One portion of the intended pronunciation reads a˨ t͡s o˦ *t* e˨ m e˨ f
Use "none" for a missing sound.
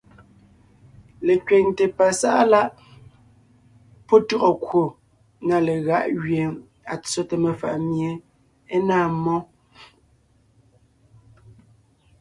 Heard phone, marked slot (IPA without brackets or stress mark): t